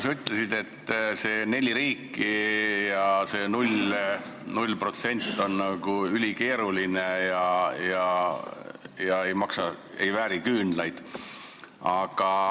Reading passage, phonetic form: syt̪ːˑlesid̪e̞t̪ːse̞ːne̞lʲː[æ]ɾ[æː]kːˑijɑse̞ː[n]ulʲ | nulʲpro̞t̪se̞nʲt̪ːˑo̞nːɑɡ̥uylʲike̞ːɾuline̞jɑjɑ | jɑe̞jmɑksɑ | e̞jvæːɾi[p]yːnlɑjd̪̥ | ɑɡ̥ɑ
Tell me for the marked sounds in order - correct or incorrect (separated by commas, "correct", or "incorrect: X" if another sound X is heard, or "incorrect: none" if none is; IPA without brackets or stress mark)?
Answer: incorrect: i, incorrect: iː, correct, incorrect: k